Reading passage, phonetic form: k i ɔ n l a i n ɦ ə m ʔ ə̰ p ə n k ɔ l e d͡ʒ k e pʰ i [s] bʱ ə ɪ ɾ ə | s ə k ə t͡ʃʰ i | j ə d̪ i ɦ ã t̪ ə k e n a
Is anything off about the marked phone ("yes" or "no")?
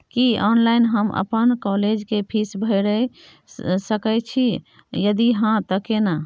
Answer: no